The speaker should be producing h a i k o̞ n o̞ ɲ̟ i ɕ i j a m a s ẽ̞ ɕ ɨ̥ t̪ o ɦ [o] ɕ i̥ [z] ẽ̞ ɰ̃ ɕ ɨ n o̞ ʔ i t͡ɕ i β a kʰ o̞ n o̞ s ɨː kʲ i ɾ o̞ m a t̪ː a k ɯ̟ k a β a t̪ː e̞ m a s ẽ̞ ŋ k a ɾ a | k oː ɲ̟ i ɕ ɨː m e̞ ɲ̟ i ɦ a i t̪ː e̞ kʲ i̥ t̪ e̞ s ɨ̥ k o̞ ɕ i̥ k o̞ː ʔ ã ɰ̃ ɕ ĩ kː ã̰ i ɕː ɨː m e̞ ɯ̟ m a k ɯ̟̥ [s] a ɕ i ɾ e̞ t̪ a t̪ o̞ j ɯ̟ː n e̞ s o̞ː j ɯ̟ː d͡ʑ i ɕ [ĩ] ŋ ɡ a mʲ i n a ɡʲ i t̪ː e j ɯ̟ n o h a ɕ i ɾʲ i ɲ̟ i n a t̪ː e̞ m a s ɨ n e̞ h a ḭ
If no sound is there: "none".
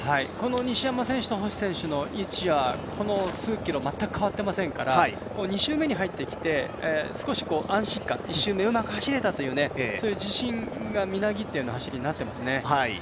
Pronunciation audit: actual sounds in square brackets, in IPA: o, s, h, ĩ

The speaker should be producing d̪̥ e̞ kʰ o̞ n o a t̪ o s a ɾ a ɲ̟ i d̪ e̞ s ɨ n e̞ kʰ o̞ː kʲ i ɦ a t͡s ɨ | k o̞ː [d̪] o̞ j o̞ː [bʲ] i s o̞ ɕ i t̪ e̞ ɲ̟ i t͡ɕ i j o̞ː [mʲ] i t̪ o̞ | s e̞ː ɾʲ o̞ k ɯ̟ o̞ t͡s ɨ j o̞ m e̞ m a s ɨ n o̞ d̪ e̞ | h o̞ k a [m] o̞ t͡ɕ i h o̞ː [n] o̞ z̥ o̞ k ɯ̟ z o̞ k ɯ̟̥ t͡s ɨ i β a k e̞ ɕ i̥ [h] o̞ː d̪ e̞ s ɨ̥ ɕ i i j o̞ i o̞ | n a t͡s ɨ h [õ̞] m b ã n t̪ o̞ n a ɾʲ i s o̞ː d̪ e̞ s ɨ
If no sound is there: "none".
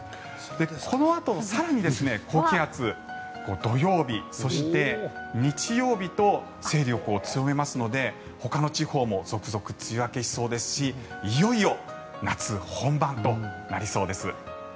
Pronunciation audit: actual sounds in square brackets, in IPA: d̪, bʲ, bʲ, n, m, s, õ̞

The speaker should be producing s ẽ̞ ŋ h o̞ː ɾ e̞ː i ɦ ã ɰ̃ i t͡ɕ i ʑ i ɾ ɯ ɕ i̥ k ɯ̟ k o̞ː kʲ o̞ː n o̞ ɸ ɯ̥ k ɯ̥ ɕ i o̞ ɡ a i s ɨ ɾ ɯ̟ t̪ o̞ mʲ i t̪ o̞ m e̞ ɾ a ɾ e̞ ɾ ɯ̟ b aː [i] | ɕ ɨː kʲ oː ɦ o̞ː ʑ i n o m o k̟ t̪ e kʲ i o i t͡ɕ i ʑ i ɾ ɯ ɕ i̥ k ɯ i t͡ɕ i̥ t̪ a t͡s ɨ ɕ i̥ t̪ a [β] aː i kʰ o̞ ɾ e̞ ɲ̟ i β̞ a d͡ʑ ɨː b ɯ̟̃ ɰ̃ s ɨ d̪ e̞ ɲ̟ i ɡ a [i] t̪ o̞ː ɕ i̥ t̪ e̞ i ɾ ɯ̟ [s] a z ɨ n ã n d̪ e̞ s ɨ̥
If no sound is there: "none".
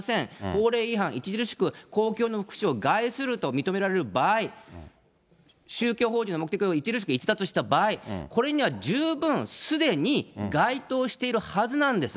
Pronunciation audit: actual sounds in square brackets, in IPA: i, b, i, h

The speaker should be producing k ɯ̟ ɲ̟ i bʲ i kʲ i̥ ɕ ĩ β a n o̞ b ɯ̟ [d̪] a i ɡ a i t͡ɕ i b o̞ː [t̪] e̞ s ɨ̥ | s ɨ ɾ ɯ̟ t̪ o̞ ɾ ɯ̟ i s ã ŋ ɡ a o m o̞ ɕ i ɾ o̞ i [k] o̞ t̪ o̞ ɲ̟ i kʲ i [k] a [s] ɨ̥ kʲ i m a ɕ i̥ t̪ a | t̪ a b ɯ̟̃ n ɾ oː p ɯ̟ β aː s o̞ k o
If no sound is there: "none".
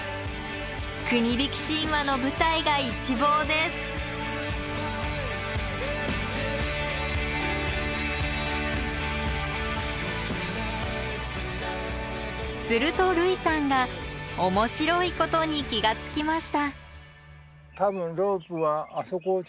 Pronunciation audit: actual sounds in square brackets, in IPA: t̪, d̪, k, ɡ, t͡s

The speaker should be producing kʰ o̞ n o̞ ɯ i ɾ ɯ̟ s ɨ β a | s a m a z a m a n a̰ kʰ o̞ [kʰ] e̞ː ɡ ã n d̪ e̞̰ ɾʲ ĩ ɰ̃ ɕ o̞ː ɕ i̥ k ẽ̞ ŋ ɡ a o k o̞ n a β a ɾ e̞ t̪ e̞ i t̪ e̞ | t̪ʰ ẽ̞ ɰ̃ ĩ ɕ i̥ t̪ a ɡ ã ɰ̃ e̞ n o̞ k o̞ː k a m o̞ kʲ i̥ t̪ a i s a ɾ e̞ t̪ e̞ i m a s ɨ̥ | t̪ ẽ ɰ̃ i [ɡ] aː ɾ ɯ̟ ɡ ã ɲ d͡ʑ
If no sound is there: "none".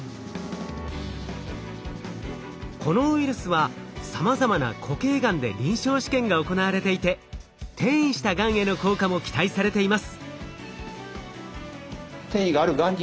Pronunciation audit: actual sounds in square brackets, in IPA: k, ɡ

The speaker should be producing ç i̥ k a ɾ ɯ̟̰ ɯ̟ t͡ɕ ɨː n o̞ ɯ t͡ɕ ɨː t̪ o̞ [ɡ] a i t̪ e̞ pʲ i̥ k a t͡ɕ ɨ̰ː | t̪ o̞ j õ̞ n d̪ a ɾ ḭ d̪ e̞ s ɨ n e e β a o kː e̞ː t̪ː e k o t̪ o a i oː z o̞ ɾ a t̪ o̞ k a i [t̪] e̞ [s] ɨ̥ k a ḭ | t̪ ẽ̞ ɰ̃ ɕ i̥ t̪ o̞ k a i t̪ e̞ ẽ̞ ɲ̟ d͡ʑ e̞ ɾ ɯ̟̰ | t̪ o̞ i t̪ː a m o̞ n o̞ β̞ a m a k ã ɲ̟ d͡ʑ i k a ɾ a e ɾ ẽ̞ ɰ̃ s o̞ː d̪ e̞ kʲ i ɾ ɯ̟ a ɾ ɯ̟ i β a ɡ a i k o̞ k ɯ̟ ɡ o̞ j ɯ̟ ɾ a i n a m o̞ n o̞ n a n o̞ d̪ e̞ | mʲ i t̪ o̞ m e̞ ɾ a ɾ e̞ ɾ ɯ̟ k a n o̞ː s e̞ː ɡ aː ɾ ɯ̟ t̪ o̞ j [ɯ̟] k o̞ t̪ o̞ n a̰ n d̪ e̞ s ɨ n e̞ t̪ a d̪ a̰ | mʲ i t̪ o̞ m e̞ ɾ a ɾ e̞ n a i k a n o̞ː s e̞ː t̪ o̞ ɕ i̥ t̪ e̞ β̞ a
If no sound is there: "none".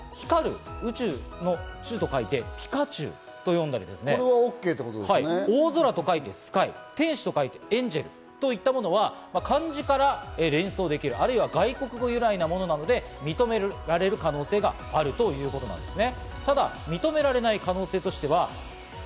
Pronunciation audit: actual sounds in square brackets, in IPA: k, t̪, s, ɯ̟ː

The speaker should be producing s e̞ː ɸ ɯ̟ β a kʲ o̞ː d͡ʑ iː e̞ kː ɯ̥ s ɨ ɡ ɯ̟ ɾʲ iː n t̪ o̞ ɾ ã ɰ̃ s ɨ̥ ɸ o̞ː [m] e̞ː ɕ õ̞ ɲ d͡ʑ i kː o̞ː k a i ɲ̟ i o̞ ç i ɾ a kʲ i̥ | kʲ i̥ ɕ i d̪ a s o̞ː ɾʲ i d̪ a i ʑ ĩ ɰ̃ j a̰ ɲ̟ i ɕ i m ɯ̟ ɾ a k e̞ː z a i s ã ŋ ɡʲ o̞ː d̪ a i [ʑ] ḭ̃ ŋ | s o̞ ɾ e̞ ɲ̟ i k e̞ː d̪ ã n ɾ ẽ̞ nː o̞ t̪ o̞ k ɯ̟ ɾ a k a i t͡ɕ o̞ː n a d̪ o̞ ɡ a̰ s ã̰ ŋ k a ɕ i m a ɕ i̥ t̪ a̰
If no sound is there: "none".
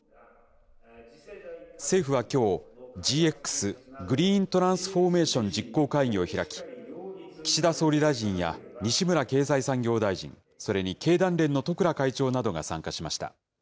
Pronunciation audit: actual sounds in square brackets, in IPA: m, ʑ

